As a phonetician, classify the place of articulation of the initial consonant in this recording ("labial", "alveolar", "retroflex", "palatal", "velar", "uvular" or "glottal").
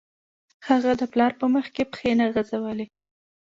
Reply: glottal